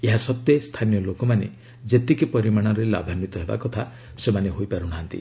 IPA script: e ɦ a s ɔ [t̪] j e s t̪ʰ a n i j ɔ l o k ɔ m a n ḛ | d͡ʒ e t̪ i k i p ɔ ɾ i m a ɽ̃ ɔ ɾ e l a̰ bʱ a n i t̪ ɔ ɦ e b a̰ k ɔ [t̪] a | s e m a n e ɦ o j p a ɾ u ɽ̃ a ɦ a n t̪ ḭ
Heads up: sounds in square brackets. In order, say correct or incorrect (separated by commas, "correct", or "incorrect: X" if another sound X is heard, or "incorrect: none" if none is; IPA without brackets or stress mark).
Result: correct, incorrect: t̪ʰ